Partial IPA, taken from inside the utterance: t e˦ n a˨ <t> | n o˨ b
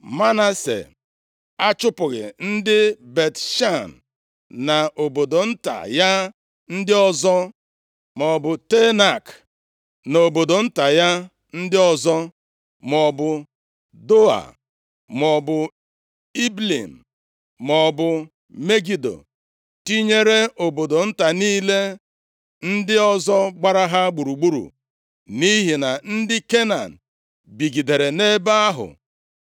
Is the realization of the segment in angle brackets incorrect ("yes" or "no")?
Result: yes